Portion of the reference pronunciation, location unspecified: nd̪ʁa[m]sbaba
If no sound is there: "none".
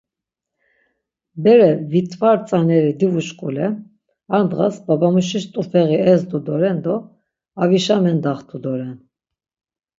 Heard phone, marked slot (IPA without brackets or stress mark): none